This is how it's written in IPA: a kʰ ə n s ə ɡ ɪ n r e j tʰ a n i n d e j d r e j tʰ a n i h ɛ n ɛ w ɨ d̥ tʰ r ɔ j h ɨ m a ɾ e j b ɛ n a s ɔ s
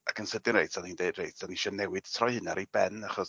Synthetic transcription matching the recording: a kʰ ə n s ə d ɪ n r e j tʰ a n i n d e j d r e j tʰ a n i ʃ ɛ n ɛ w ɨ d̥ tʰ r ɔ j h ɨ n a ɾ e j b ɛ n a χ ɔ s